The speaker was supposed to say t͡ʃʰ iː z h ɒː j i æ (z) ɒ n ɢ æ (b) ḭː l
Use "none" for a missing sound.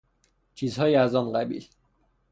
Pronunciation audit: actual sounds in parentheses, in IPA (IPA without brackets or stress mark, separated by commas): z, b